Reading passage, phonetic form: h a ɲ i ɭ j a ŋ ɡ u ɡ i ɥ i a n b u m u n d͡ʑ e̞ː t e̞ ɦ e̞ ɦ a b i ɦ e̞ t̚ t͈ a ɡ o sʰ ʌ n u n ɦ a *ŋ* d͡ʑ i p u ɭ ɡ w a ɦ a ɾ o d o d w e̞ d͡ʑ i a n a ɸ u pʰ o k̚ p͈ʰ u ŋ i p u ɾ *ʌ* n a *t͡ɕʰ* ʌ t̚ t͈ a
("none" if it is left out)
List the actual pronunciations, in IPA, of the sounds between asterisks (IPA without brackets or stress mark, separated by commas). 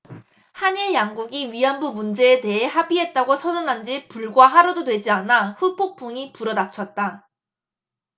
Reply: n, ʌ, t͡ɕʰ